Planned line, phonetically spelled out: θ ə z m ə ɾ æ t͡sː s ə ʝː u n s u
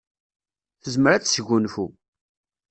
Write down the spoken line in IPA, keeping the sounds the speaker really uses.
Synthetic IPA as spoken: θ ə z m ə ɾ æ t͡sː s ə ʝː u n f u

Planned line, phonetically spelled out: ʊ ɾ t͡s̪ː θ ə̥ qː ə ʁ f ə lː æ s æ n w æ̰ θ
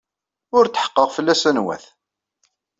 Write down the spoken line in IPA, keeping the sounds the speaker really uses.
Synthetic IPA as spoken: ʊ ɾ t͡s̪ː ħ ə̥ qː ə ʁ f ə lː æ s æ n w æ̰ θ

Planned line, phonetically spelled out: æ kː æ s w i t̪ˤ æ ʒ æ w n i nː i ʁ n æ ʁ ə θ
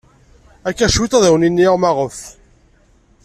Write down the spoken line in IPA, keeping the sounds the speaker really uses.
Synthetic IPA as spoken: æ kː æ ʃ w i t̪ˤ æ ð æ w n i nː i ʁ m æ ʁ ə f

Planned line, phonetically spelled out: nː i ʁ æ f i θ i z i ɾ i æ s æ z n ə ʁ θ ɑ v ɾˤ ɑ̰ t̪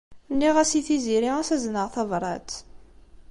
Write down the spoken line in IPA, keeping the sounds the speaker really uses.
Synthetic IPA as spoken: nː i ʁ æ s i θ i z i ɾ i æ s æ z n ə ʁ θ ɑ v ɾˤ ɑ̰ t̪

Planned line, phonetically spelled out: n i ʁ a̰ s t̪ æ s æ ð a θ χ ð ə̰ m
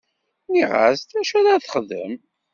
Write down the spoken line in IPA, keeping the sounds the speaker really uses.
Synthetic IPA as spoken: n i ʁ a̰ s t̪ æ ʃ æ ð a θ χ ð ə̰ m

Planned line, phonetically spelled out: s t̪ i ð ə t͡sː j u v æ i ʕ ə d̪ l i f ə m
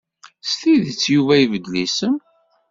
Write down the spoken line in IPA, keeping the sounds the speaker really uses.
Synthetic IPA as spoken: s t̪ i ð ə t͡sː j u v æ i v ə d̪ l i s ə m

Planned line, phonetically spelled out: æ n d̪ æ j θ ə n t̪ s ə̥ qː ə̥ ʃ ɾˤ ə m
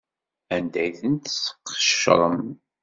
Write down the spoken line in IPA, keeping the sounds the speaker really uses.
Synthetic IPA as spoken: æ n d̪ æ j θ ə n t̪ s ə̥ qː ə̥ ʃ ɾˤ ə m

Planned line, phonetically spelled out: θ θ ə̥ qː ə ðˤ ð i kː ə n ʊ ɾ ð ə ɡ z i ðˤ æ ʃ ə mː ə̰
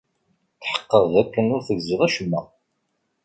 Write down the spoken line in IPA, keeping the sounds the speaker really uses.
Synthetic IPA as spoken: θ ħ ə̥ qː ə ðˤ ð æ kː ə n ʊ ɾ θ ə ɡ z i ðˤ æ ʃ ə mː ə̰

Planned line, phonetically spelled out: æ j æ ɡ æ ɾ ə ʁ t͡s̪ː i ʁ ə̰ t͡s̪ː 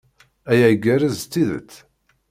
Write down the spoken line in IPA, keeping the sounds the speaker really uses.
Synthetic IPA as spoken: æ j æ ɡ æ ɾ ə z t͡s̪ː i ð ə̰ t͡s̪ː

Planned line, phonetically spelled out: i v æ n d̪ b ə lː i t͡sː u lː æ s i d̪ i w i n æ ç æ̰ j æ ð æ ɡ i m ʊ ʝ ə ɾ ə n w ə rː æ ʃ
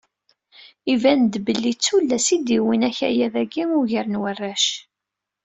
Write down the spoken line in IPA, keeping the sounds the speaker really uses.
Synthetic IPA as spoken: i v æ n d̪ b ə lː i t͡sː u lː æ s i d̪ i w i n æ ç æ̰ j æ ð æ ɡ i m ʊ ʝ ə ɾ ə n w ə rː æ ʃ

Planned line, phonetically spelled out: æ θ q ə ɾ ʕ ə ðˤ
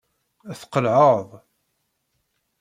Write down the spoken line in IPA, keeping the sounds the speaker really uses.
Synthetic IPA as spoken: æ θ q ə l ʕ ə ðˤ

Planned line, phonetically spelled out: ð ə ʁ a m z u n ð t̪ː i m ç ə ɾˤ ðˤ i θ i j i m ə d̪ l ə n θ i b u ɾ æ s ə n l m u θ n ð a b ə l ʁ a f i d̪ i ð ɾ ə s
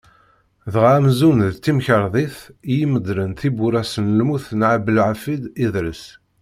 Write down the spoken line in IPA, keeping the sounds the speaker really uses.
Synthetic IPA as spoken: ð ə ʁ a m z u n ð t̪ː i m ç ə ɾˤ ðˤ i θ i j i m ə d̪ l ə n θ i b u ɾ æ s ə n l m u θ n ʕ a b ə l ʕ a f i d̪ i ð ɾ ə s

